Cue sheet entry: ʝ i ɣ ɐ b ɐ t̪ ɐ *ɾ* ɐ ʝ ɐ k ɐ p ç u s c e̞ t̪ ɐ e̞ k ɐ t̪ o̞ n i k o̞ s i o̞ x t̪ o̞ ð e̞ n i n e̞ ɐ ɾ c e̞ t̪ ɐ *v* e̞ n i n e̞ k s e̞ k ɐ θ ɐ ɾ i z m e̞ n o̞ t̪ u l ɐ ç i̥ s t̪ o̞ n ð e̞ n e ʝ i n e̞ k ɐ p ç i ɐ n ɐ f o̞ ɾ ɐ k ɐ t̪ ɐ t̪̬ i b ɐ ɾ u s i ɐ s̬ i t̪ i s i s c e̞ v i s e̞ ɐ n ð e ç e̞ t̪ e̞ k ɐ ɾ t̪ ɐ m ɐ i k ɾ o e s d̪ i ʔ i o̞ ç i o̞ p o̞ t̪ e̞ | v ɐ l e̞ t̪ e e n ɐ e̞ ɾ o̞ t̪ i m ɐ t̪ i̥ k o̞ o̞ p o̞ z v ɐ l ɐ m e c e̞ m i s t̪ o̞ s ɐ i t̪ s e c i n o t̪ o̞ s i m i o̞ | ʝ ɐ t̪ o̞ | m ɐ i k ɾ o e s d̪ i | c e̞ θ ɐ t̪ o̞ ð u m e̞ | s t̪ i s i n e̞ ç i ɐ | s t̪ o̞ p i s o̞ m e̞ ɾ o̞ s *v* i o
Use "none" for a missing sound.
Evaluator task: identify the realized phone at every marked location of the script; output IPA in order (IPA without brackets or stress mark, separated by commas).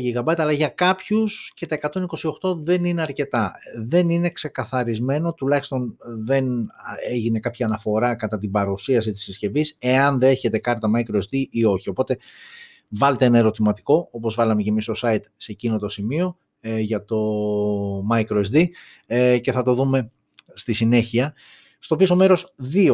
l, ð, ð